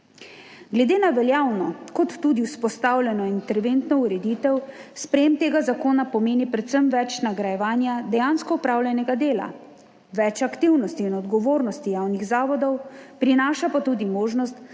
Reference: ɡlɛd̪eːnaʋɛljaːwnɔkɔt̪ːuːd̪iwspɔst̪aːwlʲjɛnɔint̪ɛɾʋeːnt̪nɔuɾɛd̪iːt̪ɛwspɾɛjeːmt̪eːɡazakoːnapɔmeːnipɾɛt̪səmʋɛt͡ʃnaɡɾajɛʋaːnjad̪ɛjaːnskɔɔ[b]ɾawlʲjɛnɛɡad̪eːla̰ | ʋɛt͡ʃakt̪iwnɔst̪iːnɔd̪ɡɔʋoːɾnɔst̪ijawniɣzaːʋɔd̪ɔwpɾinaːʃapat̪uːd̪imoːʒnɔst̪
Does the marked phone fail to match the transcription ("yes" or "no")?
yes